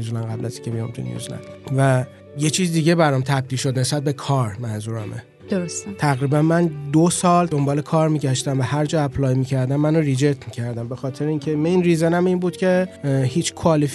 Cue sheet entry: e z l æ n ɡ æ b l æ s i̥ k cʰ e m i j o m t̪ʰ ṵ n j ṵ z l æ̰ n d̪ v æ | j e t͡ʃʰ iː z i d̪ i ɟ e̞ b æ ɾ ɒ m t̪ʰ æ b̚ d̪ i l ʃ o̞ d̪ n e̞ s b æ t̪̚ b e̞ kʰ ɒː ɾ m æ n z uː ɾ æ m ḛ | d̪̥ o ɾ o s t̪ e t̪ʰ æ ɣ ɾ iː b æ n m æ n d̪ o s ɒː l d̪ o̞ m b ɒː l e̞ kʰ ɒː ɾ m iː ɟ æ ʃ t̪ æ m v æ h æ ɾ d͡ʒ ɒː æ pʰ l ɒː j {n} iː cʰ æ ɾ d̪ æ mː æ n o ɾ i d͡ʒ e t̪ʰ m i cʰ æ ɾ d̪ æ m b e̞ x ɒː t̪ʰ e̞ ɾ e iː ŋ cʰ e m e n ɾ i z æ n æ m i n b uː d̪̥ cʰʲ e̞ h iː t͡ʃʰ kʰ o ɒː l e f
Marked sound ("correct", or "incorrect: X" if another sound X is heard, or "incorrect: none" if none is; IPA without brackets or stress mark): incorrect: m